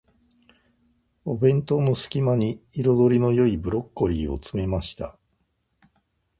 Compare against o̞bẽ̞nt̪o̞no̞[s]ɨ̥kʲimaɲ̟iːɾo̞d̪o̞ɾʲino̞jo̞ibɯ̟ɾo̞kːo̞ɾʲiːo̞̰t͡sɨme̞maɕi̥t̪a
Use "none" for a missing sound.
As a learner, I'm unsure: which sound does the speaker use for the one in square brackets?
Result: s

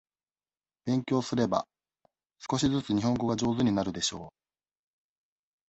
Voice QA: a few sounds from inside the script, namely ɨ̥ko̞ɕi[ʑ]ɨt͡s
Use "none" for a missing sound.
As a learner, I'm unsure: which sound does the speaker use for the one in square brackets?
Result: z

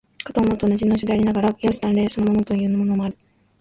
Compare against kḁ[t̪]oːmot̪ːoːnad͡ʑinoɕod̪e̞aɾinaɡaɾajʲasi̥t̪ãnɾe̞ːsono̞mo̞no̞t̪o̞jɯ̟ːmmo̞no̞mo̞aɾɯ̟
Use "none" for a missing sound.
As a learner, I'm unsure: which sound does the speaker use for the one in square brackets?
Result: t̪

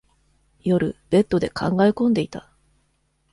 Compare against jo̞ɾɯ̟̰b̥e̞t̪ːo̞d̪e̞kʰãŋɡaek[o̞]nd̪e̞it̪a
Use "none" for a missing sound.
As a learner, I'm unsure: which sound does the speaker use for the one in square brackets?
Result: õ̞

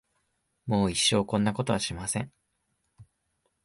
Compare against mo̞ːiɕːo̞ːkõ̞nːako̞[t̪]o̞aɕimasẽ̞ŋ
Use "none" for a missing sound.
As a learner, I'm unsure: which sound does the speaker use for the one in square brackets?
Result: t̪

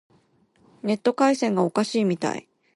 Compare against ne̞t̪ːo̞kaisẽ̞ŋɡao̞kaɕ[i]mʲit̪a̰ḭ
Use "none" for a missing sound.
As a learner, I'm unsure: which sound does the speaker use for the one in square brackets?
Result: iː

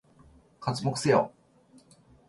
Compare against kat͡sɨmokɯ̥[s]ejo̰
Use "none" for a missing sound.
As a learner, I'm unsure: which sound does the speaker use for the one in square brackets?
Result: s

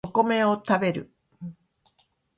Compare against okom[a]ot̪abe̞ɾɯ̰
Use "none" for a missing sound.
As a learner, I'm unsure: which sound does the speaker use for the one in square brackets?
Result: e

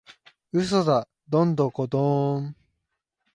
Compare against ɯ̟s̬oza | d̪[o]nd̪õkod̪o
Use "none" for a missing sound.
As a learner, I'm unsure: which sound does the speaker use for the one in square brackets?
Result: õ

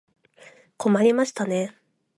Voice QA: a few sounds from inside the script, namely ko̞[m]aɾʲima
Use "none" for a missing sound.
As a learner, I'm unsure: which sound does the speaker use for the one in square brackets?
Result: m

